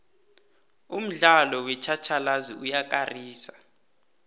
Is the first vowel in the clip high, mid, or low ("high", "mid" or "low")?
high